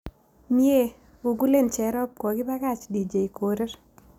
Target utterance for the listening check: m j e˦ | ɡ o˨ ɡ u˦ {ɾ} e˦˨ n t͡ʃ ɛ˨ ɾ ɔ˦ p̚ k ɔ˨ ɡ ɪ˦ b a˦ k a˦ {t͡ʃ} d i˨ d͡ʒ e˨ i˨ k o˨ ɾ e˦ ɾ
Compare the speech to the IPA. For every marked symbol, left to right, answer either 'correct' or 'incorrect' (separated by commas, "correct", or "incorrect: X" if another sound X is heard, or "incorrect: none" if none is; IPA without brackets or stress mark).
incorrect: l, correct